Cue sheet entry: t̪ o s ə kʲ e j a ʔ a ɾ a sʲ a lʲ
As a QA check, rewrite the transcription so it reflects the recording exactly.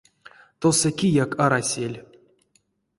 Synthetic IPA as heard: t̪ o s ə kʲ i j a k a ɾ a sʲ e lʲ